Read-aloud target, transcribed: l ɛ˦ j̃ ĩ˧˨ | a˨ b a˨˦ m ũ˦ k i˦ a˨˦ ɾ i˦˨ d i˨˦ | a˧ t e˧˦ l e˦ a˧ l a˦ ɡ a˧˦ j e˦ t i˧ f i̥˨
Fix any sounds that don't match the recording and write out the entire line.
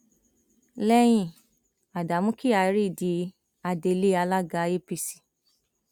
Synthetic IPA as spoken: l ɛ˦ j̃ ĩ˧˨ | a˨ d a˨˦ m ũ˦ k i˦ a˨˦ ɾ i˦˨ d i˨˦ | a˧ d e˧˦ l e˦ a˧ l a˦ ɡ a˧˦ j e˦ p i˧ s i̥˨

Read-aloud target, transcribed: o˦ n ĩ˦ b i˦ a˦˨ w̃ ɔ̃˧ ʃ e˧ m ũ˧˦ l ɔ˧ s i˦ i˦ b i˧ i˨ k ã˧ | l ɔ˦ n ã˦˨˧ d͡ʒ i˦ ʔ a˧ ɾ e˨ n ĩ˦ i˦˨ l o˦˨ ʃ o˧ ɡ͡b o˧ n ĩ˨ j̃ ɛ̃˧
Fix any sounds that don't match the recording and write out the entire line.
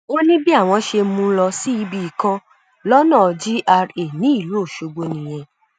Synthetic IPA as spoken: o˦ n ĩ˦ b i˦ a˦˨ w̃ ɔ̃˧ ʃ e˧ m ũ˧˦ l ɔ˧ s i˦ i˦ b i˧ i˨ k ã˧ | l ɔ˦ n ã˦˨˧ d͡ʒ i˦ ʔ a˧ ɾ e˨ n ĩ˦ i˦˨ l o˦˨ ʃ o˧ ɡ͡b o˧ n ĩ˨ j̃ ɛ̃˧

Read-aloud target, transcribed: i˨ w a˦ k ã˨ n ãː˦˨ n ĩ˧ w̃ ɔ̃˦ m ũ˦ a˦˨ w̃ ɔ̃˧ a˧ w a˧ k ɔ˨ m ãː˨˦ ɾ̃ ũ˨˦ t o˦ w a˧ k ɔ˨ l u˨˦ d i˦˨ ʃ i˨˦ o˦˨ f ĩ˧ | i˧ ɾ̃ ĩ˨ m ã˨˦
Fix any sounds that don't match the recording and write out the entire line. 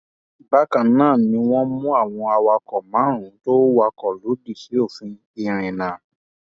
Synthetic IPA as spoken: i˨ b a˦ k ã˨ n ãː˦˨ n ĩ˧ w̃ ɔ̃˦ m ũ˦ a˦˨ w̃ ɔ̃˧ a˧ w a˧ k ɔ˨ m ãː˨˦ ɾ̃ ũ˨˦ t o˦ w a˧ k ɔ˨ l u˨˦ d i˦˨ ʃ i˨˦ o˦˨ f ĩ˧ | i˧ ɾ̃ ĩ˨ n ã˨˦

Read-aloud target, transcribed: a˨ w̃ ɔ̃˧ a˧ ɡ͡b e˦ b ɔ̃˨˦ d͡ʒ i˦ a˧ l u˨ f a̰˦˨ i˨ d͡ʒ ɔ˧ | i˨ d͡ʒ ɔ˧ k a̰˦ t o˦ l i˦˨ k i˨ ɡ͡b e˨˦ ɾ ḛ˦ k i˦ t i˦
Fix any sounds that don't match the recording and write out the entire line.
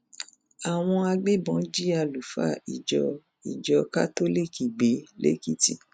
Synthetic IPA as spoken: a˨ w̃ ɔ̃˧ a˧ ɡ͡b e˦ b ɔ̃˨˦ d͡ʒ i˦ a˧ l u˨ f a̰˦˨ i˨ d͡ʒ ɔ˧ | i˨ d͡ʒ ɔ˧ k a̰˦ t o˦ l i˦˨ k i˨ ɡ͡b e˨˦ l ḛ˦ k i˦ t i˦

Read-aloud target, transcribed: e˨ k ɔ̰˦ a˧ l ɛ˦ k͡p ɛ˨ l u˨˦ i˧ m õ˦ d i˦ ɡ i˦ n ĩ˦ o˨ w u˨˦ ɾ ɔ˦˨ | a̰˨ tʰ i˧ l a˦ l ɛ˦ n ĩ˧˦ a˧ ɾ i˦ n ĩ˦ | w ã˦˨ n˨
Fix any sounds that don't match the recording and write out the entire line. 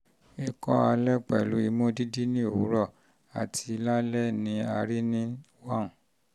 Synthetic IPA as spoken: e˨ k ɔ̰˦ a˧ l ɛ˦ k͡p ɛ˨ l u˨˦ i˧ m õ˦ d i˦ d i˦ n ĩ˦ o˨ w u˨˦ ɾ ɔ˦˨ | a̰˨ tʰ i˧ l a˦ l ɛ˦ n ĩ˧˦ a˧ ɾ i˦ n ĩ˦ | w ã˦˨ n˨

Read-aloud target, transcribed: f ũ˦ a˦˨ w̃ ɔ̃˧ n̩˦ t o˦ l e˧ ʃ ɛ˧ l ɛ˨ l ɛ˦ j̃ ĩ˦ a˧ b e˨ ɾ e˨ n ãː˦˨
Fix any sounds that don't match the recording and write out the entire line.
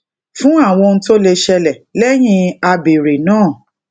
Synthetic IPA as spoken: f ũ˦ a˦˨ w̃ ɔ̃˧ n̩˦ t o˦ l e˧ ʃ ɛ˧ l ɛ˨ l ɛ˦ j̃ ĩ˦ a˧ b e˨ ɾ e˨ n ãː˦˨

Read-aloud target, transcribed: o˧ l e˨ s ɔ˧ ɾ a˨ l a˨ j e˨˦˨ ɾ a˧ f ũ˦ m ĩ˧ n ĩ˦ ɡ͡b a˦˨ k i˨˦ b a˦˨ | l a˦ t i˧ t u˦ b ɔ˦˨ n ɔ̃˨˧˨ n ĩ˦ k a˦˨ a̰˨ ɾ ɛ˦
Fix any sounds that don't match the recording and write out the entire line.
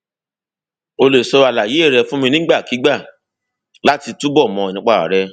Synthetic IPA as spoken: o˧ l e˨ s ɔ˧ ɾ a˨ l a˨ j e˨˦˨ ɾ ɛ˧ f ũ˦ m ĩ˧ n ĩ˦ ɡ͡b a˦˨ k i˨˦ ɡ͡b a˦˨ | l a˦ t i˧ t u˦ b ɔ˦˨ m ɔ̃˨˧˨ n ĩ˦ k͡p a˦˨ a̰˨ ɾ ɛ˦

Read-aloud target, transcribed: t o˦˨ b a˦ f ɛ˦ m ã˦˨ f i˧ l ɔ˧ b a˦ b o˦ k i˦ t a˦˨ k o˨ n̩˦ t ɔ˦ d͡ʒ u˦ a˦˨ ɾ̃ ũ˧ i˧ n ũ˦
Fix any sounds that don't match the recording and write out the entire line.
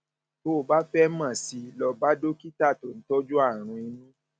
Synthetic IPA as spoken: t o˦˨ b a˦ f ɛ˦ m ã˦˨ s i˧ l ɔ˧ b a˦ d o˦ k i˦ t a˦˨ t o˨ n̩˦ t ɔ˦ d͡ʒ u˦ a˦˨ ɾ̃ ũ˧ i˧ n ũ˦

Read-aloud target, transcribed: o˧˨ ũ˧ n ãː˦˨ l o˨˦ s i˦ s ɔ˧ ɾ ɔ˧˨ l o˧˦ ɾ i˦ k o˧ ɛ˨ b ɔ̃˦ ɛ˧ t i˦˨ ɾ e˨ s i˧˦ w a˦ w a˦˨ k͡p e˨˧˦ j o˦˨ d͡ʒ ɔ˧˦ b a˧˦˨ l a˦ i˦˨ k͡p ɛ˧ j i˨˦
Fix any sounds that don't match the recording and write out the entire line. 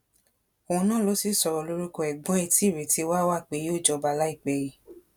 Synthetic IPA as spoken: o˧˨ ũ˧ n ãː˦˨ l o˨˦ s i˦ s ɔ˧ ɾ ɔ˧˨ l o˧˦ ɾ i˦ k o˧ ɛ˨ ɡ͡b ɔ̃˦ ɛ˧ t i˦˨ ɾ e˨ t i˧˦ w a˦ w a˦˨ k͡p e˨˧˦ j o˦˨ d͡ʒ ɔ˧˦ b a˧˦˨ l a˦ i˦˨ k͡p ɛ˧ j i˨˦

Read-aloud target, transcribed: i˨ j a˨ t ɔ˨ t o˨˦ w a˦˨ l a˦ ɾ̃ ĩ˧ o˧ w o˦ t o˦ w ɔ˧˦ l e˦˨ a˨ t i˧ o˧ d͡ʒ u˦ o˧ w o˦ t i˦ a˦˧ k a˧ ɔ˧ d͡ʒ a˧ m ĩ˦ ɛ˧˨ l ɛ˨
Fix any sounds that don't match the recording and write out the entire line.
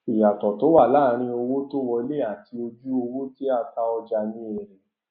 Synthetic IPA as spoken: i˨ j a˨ t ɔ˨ t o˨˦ w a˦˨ l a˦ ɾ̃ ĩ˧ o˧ w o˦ t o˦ w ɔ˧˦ l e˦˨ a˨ t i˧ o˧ d͡ʒ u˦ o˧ w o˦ t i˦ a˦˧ t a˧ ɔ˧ d͡ʒ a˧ n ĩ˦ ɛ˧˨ ɾ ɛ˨

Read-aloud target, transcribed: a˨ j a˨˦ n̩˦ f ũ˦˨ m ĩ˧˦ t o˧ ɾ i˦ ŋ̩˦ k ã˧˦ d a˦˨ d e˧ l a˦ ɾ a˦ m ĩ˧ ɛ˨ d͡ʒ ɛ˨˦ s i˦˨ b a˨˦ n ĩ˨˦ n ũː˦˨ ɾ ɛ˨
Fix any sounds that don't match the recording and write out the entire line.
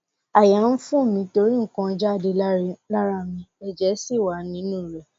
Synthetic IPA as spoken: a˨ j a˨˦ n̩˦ f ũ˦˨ m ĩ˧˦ t o˧ ɾ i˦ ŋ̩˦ k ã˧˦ d͡ʒ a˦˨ d e˧ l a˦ ɾ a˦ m ĩ˧ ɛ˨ d͡ʒ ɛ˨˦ s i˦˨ w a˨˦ n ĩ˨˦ n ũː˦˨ ɾ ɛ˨

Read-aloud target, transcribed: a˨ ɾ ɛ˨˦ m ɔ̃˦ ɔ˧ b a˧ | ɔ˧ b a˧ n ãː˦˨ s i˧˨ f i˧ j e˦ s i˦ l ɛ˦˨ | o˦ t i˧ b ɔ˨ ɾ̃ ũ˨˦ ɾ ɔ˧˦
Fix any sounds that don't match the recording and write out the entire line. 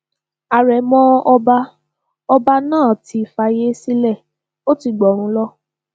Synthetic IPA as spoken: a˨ ɾ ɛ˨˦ m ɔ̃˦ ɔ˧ b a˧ | ɔ˧ b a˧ n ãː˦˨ t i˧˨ f a˧ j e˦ s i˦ l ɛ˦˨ | o˦ t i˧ ɡ͡b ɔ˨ ɾ̃ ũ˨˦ l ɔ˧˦

